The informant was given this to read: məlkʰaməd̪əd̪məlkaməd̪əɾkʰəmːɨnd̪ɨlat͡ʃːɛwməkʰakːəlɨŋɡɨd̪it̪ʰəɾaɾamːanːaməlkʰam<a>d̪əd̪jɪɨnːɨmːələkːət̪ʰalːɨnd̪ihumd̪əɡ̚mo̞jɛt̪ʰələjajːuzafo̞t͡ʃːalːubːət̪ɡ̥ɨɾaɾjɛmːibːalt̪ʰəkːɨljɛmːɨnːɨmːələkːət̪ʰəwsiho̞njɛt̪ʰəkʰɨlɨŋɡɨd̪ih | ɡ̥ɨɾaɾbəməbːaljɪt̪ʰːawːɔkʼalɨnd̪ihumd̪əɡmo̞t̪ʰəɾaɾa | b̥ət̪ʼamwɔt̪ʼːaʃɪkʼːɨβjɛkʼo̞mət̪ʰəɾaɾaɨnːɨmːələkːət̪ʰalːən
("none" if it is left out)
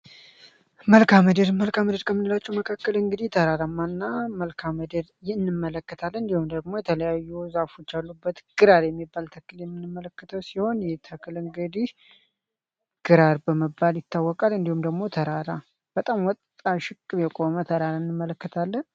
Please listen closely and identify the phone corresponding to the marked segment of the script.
ə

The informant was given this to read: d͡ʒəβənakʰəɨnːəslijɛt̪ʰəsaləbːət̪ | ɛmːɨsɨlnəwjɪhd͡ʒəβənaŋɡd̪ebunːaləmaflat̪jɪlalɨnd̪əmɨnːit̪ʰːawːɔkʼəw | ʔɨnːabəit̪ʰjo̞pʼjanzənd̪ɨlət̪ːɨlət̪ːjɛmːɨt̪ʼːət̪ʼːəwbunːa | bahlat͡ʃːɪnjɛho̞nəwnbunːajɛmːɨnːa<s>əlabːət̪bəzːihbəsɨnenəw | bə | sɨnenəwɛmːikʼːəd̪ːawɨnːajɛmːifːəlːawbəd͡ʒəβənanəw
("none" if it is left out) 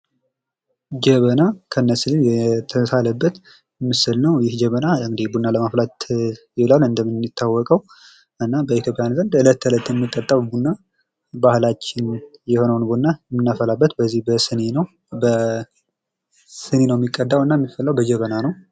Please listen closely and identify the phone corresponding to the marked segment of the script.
f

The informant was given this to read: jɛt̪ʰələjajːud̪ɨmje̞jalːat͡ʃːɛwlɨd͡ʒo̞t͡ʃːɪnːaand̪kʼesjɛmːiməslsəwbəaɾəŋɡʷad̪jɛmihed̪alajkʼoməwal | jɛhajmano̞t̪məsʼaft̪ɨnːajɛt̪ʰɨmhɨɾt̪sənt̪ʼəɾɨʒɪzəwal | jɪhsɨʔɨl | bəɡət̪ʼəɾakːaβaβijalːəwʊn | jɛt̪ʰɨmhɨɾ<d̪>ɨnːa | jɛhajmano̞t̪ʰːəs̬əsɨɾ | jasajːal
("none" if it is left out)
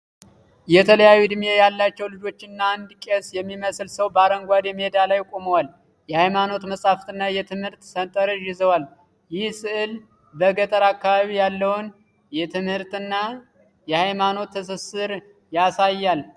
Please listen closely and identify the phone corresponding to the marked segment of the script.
t̪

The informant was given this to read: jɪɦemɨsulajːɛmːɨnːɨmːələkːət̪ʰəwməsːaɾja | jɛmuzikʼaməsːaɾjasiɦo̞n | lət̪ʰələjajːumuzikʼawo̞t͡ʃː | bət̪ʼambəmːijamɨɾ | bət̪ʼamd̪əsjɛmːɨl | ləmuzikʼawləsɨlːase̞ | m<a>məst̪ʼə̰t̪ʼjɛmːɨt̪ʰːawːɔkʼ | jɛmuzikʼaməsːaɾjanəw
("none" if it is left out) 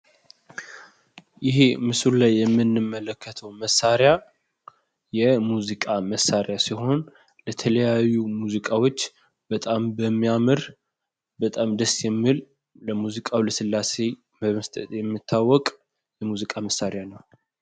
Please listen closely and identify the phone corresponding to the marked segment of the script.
ə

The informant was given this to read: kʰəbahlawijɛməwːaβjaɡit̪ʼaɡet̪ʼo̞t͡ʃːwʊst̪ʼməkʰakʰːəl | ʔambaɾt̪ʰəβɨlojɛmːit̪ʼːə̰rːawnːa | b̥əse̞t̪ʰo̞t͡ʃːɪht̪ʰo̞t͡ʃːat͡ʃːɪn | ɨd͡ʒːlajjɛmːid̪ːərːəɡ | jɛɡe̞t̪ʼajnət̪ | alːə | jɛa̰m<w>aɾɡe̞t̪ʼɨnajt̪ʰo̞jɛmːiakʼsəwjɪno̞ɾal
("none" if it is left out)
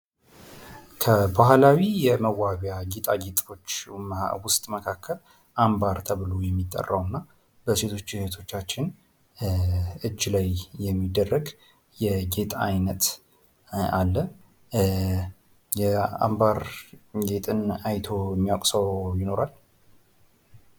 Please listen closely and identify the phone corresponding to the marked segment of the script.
b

